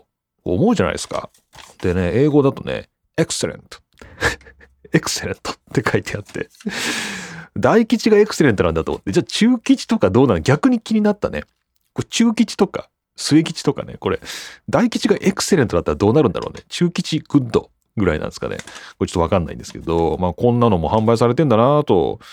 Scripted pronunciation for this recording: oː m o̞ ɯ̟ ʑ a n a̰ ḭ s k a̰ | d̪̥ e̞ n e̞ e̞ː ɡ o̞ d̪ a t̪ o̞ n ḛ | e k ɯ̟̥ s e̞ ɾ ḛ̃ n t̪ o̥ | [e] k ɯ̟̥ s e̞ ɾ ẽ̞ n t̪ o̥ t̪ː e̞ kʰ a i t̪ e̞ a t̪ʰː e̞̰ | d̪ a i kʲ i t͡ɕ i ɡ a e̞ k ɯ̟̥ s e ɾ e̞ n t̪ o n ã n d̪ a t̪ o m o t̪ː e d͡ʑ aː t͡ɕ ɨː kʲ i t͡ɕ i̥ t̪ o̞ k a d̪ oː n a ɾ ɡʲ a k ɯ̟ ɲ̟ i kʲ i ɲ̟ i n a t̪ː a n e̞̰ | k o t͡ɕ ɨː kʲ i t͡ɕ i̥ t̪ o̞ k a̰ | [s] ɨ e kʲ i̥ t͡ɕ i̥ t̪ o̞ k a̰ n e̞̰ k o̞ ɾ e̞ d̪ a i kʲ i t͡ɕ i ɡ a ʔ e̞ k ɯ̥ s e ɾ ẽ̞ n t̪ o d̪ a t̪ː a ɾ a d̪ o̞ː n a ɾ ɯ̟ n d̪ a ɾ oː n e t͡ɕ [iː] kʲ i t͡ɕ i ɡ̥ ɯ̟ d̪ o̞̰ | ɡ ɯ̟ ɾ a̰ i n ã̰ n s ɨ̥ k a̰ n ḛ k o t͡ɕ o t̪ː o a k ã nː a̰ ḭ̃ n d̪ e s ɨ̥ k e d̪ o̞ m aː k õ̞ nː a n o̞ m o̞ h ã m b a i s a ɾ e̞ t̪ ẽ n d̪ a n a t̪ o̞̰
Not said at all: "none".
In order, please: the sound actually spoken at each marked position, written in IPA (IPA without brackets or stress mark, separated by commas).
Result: e, s, ɨː